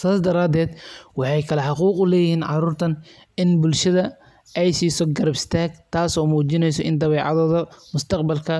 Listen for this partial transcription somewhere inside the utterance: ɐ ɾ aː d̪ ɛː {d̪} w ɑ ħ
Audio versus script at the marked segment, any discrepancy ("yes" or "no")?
no